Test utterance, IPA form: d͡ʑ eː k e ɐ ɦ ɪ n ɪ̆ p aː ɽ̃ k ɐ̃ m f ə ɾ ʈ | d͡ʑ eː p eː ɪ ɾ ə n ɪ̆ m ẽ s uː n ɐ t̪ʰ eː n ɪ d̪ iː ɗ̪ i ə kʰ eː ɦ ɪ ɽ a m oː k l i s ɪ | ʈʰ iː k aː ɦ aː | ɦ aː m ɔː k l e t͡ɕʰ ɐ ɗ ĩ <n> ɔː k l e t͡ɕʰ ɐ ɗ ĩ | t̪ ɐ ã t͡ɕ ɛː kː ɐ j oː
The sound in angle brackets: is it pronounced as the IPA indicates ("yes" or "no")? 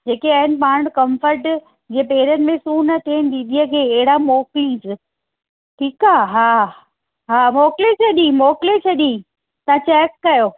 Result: no